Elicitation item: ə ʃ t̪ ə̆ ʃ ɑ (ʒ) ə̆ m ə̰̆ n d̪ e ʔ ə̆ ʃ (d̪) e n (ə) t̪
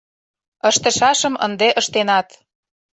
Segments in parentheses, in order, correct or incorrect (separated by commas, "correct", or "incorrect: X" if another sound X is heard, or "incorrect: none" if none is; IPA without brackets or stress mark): incorrect: ʃ, incorrect: t̪, incorrect: ɑ